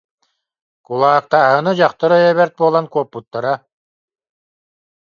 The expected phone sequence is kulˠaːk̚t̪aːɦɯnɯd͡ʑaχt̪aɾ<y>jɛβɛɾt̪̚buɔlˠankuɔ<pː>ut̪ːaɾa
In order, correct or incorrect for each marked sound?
incorrect, correct

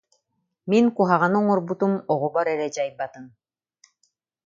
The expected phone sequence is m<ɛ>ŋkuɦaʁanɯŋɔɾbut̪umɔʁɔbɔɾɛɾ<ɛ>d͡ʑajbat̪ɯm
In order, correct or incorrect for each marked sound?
incorrect, correct

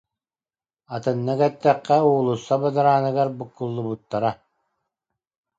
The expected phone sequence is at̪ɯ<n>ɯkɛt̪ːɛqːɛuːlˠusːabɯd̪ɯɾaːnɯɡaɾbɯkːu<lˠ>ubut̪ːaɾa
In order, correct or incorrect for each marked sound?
incorrect, incorrect

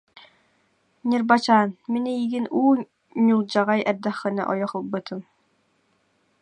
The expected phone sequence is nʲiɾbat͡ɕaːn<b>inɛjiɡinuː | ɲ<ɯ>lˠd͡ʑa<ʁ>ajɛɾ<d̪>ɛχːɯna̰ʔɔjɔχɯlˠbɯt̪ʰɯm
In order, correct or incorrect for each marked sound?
incorrect, incorrect, correct, correct

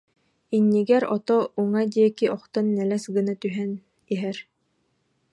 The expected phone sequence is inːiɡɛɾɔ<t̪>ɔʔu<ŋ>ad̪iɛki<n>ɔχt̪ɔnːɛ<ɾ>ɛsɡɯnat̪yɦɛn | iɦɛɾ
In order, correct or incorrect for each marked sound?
correct, correct, incorrect, incorrect

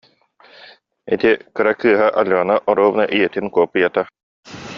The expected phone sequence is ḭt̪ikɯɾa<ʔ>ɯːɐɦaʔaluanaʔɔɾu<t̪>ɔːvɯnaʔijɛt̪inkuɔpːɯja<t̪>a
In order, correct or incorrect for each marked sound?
incorrect, incorrect, correct

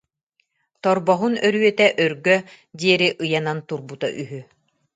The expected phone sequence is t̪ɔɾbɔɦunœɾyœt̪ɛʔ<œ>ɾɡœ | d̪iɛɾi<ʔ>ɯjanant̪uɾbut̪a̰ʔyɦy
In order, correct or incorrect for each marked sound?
correct, correct

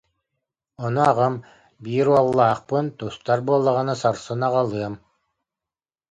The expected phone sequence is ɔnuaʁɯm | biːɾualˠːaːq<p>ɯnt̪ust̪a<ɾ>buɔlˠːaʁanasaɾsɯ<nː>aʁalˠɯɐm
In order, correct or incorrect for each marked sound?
correct, correct, incorrect

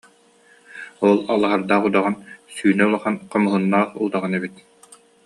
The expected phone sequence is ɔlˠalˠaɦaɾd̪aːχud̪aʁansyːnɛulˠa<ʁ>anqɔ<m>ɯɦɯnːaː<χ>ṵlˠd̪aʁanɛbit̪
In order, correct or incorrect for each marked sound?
incorrect, correct, correct

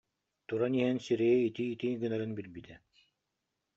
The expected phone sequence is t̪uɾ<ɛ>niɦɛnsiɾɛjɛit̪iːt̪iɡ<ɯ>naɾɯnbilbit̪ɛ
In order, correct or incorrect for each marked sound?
incorrect, correct

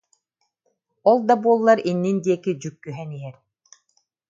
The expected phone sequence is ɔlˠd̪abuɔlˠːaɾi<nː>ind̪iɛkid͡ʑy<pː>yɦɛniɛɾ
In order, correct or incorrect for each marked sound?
correct, incorrect

